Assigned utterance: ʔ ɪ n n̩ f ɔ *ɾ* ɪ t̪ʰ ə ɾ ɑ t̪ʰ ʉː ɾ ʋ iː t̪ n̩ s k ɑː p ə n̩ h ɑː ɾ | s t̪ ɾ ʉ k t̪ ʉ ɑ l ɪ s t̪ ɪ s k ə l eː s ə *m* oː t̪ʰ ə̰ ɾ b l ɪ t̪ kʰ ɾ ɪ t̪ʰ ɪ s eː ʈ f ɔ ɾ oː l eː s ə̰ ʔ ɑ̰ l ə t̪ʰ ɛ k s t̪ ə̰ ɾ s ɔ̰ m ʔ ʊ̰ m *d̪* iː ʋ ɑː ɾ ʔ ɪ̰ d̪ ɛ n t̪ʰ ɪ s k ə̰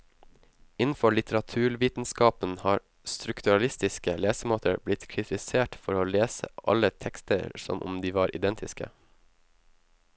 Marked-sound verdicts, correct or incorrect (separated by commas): incorrect, correct, correct